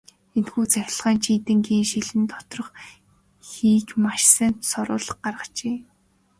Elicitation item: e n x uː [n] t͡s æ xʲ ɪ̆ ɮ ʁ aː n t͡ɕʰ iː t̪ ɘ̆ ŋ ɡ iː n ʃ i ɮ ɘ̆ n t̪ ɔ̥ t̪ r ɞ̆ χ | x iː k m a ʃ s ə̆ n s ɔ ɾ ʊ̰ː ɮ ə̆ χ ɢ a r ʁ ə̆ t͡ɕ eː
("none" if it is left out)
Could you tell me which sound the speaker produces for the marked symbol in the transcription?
none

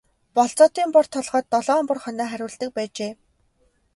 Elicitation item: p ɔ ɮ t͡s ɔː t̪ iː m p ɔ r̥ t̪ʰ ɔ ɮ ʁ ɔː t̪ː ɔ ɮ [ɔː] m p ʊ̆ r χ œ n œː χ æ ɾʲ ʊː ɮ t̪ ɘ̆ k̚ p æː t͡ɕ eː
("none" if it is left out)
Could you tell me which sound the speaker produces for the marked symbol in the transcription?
ɔː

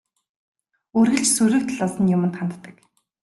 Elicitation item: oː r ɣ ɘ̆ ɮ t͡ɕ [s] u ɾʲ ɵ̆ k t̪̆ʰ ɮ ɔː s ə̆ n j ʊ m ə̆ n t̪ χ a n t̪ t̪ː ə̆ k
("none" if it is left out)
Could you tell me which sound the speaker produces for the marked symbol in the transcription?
s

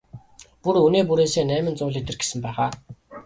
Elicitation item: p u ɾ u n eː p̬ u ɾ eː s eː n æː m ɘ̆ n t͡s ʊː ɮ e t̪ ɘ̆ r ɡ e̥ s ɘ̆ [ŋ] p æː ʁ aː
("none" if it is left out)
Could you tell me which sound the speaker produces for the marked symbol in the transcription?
m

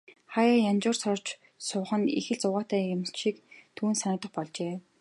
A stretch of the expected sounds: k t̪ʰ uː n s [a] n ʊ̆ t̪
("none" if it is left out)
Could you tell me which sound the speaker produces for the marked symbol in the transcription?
a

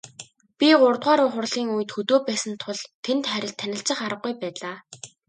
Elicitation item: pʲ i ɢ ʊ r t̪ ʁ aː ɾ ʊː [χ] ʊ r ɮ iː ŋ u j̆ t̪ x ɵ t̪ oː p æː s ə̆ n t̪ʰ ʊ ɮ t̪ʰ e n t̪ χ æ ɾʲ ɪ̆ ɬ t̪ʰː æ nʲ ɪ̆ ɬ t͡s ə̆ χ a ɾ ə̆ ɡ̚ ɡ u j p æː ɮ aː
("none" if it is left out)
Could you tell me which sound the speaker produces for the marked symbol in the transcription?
χ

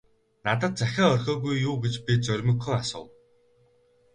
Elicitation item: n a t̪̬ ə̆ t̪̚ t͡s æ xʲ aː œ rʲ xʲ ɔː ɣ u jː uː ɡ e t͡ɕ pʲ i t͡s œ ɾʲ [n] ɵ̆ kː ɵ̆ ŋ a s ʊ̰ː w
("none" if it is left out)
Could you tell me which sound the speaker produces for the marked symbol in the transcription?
m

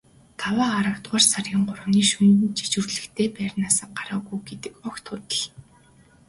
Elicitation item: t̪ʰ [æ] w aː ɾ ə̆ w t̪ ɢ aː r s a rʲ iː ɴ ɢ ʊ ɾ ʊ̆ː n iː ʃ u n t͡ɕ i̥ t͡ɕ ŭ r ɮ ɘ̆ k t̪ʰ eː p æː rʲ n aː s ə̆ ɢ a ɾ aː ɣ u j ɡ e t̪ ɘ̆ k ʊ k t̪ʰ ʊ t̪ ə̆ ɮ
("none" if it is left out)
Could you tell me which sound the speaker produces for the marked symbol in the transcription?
a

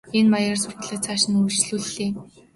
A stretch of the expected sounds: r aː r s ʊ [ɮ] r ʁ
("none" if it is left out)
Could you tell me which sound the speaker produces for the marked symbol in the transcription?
none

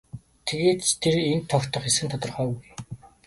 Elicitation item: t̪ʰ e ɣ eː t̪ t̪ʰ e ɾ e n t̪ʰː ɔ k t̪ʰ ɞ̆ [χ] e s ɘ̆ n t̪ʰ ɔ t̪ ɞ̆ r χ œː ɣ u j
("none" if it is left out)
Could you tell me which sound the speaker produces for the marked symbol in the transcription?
χ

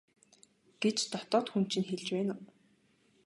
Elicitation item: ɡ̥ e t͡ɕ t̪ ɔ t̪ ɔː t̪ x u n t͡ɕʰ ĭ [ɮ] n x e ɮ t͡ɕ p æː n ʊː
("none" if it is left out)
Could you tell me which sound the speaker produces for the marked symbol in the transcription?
none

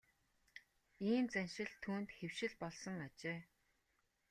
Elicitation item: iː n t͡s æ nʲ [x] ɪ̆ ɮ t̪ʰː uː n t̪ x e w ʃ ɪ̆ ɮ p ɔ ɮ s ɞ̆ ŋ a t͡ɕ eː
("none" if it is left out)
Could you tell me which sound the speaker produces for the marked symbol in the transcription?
ʃ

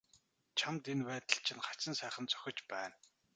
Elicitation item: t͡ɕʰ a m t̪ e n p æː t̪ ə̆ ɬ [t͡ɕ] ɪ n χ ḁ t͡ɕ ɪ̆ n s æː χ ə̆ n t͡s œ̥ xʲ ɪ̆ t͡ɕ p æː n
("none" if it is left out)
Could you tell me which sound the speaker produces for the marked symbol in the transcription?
t͡ɕʰ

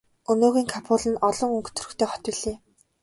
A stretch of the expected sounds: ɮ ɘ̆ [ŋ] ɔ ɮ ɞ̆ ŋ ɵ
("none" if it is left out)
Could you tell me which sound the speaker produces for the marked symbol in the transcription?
n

